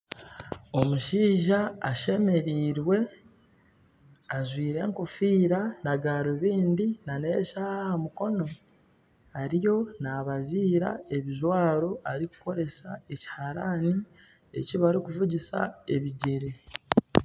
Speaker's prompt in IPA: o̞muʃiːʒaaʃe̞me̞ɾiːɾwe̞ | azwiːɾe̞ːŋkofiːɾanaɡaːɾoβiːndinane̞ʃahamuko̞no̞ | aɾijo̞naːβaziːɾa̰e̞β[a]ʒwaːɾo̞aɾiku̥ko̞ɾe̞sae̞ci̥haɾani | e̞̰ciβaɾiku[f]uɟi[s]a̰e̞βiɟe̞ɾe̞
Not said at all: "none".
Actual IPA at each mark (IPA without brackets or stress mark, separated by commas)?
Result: i, v, s